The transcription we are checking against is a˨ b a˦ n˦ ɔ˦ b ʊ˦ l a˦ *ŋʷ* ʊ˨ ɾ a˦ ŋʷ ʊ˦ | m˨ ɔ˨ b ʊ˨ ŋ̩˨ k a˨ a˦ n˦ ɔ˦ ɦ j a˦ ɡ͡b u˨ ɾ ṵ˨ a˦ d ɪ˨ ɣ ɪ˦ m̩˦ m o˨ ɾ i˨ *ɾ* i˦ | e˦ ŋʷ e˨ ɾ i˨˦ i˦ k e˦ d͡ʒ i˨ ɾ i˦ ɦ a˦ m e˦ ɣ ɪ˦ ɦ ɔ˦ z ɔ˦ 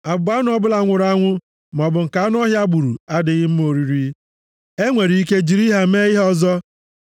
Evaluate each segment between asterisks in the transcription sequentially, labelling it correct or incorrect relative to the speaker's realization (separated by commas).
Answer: correct, correct